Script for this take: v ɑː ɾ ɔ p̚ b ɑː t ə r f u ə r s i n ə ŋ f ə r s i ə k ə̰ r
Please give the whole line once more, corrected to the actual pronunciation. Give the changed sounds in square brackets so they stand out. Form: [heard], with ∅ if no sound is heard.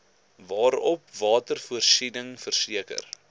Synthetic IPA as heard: v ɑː ɾ ɔ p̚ [v] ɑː t ə r f u ə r s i n ə ŋ f ə r s i ə k ə̰ r

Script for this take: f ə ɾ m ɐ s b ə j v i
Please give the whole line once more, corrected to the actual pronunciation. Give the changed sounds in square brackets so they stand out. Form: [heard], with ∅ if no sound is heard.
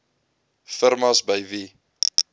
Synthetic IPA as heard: f ə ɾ m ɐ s b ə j v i

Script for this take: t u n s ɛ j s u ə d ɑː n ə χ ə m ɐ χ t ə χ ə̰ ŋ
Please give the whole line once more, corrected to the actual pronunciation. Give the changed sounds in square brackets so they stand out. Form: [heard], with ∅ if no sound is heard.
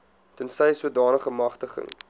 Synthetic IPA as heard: t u n s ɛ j s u ə d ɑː n ə χ ə m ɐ χ t ə χ ə̰ ŋ

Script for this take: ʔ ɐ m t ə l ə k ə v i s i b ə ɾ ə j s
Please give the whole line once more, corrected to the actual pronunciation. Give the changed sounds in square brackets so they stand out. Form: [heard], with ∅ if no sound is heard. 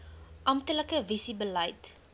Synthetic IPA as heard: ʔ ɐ m t ə l ə k ə v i s i b ə [l] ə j [t]

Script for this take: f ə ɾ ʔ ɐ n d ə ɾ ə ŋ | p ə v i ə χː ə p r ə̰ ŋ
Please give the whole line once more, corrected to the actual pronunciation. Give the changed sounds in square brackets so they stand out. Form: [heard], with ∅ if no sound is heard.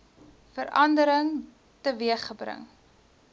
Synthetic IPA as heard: f ə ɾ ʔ ɐ n d ə ɾ ə ŋ | [t] ə v i ə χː ə [b] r ə̰ ŋ

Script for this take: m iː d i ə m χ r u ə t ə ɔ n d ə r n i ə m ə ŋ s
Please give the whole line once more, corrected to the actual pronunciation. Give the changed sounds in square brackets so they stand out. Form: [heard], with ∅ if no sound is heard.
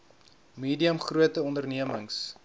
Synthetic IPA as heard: m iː d i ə m χ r u ə t ə ɔ n d ə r n i ə m ə ŋ s

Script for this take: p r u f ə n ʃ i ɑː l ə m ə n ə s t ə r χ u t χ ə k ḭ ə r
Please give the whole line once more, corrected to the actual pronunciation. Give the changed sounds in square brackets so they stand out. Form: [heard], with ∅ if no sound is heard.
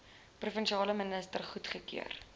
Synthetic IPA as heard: p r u f ə n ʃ i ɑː l ə m ə n ə s t ə r χ u t χ ə k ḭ ə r

